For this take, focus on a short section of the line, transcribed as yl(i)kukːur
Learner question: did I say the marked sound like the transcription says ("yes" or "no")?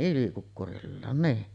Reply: yes